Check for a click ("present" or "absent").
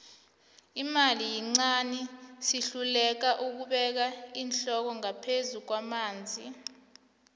present